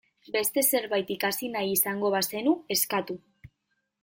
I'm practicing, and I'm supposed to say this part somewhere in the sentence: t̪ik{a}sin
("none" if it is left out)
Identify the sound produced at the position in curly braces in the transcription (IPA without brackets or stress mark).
a